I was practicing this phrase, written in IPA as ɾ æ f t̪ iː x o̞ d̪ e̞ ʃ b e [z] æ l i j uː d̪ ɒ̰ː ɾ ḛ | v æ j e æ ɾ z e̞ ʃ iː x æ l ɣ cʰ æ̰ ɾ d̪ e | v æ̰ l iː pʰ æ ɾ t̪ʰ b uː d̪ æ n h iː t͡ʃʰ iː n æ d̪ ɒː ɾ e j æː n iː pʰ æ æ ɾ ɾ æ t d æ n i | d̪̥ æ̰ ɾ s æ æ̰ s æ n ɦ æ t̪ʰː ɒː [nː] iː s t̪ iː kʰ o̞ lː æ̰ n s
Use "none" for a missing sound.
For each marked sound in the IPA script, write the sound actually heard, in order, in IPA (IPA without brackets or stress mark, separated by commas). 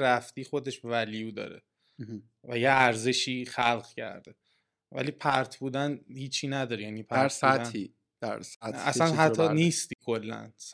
v, n